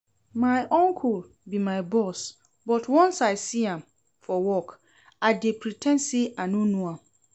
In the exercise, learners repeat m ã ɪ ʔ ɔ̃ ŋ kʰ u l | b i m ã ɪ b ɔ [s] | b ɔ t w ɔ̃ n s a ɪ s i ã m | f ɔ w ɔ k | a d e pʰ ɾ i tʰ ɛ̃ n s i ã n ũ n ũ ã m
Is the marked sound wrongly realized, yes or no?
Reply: no